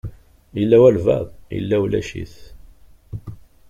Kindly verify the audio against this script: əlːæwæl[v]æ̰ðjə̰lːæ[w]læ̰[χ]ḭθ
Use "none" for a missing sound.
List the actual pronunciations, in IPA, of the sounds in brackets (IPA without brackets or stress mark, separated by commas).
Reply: v, w, ʃ